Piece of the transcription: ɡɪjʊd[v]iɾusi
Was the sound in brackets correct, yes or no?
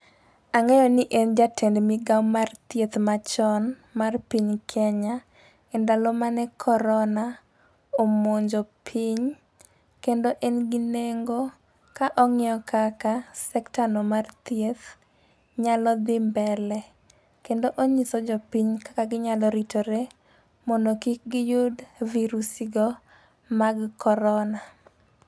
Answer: yes